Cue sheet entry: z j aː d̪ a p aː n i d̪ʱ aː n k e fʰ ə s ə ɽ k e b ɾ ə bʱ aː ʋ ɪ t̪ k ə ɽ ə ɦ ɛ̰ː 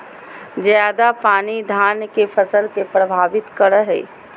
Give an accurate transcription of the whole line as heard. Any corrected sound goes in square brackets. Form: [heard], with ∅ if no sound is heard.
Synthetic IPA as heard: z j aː d̪ a p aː n i d̪ʱ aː n k e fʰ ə s ə [l] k e [p] ɾ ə bʱ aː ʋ ɪ t̪ k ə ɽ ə ɦ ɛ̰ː